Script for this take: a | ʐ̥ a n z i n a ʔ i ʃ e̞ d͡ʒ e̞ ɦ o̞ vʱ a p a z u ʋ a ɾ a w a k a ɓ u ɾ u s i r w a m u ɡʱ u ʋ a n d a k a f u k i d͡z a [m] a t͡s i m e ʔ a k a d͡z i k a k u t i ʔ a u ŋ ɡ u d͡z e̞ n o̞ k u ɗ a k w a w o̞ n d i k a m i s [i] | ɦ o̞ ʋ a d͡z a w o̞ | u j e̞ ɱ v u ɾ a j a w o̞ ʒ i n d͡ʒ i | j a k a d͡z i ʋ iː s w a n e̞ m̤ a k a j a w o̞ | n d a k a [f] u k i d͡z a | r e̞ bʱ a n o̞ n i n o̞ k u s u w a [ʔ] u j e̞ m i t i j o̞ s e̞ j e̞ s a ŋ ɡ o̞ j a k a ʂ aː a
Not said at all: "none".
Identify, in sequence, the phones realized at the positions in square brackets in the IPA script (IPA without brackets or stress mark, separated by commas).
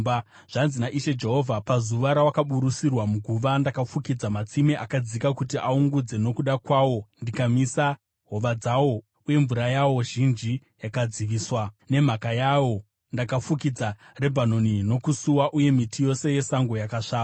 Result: m, a, f, ʔ